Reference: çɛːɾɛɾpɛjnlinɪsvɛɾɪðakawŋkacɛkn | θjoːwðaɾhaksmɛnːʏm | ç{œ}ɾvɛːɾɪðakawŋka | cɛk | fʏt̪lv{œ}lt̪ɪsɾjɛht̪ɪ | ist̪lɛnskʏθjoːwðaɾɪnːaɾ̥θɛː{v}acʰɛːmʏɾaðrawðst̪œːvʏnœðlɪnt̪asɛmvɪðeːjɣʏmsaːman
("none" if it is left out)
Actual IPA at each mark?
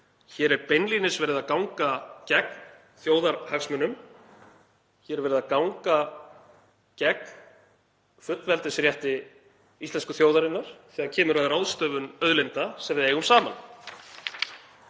ɛ, ɛ, ɣ

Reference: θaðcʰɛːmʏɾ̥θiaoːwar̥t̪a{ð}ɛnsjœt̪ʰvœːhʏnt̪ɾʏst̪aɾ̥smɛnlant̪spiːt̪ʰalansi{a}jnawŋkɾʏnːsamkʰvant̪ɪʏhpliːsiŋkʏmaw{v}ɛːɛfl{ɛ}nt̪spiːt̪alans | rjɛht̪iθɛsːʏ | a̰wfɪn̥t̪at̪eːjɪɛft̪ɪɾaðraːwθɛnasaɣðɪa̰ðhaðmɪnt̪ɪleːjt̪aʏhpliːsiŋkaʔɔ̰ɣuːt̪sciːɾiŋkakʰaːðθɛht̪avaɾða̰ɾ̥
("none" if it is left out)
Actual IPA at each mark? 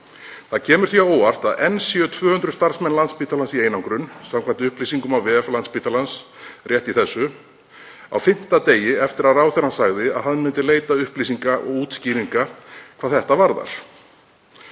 ð, e, v, a

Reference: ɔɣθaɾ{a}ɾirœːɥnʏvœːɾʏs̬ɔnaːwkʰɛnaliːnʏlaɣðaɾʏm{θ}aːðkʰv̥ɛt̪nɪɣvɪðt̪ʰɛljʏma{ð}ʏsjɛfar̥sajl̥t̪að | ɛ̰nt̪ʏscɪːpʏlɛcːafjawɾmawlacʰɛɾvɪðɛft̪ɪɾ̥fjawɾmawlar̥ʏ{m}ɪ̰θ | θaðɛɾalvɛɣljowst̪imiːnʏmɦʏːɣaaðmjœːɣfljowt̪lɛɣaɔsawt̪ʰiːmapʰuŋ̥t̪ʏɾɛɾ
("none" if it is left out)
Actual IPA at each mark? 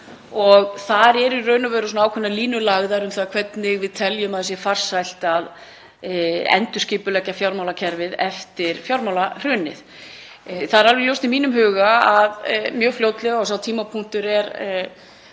ɛ, θ, ð, n

